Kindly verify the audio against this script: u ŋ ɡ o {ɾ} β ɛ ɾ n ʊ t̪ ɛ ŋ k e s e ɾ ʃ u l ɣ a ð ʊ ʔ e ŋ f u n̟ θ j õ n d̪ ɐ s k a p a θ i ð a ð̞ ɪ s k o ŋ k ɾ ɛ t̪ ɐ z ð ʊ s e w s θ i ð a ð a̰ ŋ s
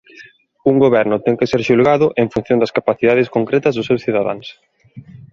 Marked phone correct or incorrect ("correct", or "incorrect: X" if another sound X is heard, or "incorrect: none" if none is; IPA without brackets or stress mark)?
incorrect: none